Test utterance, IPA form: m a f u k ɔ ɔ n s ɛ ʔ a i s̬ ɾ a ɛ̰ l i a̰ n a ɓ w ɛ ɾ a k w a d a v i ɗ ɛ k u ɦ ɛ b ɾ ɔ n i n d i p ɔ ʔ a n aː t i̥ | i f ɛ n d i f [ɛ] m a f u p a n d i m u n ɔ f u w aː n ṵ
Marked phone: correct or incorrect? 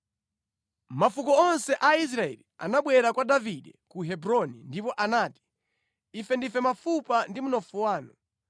correct